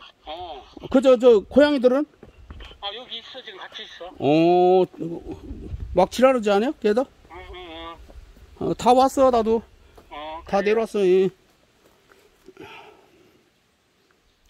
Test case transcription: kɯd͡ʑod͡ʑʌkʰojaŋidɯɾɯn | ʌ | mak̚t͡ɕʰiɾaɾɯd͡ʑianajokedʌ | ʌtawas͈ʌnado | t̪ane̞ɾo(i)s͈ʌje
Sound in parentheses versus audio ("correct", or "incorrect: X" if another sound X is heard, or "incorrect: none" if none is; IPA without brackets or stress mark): incorrect: a